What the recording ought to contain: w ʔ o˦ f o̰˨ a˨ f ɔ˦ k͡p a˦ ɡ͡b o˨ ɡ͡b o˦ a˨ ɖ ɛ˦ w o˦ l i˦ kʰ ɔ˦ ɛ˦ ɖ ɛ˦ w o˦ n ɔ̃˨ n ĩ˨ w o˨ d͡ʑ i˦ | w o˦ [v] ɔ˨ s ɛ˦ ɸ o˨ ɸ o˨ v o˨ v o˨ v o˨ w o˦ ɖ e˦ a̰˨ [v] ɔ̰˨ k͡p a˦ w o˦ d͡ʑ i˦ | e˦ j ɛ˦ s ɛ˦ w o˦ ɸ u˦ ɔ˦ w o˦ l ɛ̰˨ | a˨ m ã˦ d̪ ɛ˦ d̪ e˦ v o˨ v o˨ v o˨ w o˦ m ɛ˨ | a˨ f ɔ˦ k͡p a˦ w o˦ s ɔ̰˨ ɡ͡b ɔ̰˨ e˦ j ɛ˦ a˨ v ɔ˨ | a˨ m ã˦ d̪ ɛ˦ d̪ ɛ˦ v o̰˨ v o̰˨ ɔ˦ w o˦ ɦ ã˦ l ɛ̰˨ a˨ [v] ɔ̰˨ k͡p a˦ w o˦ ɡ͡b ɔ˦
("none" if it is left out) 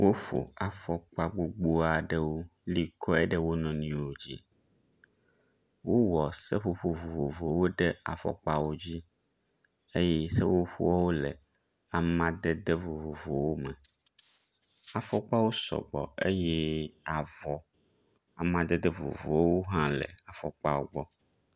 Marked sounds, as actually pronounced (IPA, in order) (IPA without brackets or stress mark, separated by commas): w, f, f